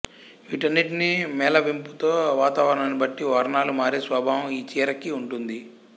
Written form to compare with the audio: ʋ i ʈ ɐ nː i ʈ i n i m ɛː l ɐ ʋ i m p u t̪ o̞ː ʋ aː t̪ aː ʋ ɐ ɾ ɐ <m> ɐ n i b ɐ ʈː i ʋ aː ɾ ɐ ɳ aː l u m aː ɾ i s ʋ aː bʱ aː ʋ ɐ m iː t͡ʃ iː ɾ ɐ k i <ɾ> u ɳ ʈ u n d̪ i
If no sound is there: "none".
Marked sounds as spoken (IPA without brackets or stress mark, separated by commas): ɳ, none